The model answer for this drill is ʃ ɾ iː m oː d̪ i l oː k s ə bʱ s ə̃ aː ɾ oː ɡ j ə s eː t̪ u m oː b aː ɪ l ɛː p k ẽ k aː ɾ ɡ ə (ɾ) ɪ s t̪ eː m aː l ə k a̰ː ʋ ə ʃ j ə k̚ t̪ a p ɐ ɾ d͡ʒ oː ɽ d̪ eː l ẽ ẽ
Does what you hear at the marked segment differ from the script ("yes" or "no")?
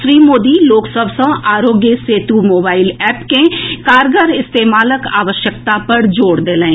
no